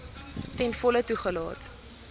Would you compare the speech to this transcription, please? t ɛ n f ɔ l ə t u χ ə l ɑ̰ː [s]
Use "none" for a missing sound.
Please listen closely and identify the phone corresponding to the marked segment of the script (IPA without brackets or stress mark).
t